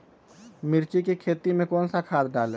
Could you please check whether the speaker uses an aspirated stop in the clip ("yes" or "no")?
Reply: yes